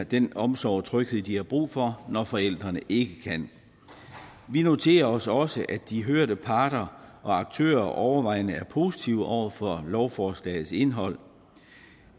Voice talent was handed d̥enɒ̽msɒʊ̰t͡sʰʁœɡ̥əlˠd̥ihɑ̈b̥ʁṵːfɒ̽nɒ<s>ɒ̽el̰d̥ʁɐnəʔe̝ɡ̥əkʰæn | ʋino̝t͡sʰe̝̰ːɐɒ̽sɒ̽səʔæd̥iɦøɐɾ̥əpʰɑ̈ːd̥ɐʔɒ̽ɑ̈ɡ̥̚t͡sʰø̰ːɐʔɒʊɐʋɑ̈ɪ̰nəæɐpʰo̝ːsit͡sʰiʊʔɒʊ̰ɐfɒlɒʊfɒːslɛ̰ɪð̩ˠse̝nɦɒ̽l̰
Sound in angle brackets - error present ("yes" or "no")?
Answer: yes